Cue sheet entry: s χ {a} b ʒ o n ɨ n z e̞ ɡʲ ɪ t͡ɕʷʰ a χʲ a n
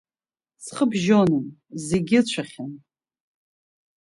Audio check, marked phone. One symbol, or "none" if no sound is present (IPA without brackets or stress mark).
ə